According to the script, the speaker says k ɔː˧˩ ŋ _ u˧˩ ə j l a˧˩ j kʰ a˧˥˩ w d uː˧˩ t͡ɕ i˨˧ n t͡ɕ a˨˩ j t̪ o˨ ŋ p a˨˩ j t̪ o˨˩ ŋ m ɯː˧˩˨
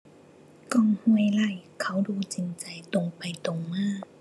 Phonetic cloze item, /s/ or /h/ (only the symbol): h